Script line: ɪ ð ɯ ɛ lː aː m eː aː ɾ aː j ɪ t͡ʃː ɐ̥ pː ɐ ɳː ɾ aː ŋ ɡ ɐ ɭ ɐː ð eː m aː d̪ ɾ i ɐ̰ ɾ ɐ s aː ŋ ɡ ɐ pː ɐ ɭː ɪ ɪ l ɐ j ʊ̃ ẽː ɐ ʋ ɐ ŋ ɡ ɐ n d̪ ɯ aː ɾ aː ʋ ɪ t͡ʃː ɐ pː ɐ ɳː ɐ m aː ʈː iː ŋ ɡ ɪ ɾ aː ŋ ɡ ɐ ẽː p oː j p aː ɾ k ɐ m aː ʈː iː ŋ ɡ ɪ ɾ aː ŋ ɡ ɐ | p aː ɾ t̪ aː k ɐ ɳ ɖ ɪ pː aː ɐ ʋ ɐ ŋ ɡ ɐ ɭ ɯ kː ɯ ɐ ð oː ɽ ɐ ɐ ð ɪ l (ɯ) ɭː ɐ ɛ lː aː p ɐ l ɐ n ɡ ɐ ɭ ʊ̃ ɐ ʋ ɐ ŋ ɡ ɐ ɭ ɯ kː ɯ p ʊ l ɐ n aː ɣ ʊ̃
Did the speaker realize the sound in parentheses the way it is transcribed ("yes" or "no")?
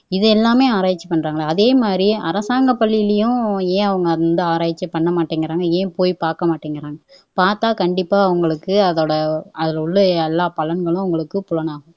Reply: no